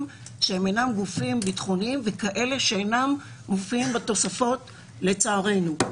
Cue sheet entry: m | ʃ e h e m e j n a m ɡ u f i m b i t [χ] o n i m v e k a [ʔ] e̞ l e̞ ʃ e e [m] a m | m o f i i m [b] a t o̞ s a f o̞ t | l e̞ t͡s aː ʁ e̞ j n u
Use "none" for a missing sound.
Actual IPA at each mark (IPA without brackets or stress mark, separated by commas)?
χ, ʔ, n, b